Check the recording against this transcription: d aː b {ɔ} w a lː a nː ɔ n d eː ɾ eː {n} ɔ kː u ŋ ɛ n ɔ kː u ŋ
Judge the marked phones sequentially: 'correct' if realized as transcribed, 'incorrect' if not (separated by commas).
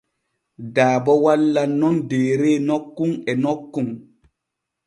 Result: correct, correct